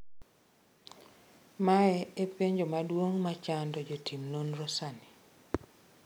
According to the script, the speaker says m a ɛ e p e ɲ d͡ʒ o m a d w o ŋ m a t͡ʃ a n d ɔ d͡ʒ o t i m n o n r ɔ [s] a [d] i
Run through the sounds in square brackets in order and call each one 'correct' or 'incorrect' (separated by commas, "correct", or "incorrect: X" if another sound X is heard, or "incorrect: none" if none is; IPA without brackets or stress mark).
correct, incorrect: n